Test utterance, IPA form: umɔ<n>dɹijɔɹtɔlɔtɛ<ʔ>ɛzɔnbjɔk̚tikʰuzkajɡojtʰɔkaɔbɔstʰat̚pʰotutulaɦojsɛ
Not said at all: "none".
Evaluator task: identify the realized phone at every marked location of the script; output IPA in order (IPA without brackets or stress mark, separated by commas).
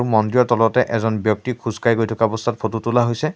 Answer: n, ʔ